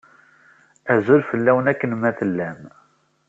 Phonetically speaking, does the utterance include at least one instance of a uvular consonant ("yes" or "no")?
no